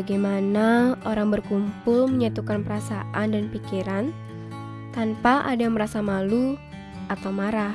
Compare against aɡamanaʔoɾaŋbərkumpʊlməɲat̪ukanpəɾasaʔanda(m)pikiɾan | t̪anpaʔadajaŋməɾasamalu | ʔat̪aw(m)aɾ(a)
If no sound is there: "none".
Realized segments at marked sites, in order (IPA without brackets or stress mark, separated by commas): n, m, a